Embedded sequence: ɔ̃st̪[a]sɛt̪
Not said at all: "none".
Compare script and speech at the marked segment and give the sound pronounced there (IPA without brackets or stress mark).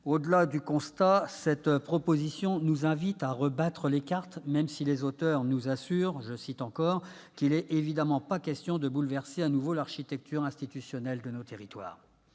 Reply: a